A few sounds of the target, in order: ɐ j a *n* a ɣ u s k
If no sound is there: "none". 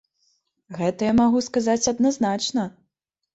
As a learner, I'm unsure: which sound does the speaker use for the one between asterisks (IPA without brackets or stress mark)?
m